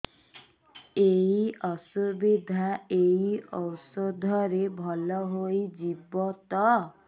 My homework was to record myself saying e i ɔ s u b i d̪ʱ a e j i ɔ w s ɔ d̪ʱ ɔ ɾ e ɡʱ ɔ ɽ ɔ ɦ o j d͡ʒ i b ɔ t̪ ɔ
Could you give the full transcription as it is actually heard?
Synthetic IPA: e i ɔ s u b i d̪ʱ a e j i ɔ w s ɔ d̪ʱ ɔ ɾ e bʱ ɔ l ɔ ɦ o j d͡ʒ i b ɔ t̪ ɔ